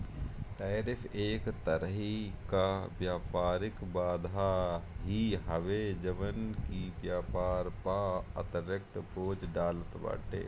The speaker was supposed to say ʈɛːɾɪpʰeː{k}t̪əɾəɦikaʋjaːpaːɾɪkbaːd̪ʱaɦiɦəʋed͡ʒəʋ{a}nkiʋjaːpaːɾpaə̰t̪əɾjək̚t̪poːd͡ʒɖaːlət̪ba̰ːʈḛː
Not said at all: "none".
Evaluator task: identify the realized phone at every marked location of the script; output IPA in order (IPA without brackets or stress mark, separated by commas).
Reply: k, ə